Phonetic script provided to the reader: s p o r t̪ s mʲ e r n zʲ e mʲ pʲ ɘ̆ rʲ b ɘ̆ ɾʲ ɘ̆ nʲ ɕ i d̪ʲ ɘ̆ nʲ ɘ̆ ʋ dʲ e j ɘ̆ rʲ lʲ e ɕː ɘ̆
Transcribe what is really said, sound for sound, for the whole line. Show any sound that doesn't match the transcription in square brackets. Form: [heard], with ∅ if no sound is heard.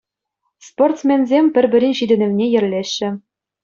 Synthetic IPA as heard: s p o r t̪ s mʲ e [∅] n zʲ e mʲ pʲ ɘ̆ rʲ b ɘ̆ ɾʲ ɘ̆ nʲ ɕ i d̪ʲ ɘ̆ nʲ ɘ̆ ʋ [nʲ] e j ɘ̆ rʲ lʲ e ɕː ɘ̆